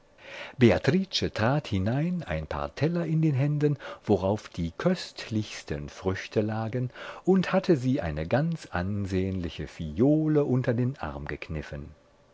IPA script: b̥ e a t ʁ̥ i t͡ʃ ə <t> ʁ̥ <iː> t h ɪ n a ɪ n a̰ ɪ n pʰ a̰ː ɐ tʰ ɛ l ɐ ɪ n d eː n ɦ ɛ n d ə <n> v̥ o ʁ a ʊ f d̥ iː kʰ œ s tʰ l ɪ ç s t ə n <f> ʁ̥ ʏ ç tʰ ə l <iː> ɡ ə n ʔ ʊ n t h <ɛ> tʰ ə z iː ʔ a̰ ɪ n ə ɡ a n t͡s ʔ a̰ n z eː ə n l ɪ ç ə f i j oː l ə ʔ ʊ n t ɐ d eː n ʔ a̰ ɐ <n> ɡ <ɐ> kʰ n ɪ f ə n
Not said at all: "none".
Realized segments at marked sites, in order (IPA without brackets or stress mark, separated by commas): t, aː, n, f, aː, a, m, ə